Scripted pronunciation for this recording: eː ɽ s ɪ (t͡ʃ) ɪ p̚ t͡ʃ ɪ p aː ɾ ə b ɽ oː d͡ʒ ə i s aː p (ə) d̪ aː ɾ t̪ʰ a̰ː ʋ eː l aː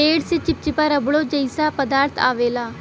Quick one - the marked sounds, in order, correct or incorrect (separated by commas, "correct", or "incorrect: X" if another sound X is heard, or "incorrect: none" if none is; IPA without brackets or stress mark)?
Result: correct, correct